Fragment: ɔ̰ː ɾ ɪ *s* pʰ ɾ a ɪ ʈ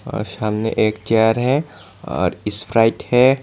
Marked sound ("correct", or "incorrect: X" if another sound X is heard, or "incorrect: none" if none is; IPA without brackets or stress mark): correct